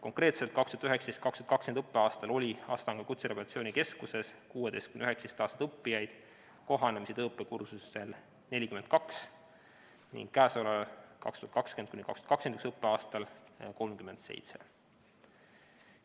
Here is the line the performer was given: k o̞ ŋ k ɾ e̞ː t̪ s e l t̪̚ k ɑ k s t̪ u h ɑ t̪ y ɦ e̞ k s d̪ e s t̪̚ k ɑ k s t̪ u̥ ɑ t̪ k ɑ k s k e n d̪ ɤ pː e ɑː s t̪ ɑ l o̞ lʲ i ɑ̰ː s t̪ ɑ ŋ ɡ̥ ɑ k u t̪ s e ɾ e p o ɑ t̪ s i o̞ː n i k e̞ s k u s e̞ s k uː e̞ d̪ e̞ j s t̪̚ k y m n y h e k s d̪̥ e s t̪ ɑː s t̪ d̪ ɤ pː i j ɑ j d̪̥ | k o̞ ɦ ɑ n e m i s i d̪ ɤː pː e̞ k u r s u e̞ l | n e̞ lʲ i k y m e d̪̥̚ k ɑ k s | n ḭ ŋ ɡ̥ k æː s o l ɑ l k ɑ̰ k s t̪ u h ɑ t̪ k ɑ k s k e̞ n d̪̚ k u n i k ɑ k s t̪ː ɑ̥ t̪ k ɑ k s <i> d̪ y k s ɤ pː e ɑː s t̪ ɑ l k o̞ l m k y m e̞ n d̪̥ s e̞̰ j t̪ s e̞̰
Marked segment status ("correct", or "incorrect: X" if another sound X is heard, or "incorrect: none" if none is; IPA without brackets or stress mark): incorrect: e